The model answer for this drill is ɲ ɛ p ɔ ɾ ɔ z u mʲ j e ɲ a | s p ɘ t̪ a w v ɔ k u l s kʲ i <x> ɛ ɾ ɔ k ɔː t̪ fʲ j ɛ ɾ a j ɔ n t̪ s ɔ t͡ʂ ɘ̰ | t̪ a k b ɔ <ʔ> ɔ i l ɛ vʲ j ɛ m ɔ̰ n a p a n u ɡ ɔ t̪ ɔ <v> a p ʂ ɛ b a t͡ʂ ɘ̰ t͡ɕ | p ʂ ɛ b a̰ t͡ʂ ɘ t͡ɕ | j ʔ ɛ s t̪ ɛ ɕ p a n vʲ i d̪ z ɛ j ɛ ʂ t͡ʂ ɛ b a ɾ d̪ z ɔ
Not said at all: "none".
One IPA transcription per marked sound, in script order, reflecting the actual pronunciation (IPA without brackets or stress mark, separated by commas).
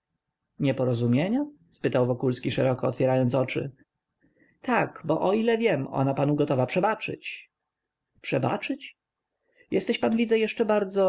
ʂ, ʔ, v